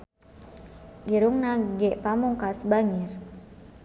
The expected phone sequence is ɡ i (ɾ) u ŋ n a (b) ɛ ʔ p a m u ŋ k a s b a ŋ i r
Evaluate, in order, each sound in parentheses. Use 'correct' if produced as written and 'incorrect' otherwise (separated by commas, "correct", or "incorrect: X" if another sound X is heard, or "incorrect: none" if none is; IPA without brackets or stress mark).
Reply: correct, incorrect: ɡ